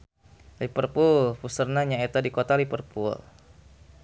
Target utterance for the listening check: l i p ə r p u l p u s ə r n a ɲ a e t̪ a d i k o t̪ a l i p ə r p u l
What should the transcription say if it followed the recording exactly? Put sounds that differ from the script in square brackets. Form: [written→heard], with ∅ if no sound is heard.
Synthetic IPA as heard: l i p ə r p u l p u s ə r n a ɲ a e t̪ a d i k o t̪ a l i p ə r p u l